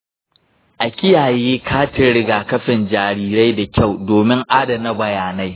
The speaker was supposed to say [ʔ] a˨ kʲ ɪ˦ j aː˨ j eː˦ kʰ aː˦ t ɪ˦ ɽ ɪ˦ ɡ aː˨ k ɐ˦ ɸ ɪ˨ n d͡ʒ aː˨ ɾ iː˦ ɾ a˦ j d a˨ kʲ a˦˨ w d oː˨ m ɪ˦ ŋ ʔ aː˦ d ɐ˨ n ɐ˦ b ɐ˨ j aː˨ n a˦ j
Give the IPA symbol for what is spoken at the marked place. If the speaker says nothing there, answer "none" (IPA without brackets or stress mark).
ʔ